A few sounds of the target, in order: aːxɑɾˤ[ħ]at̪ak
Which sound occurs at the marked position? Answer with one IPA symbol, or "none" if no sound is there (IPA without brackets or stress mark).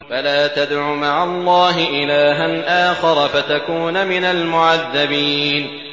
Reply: f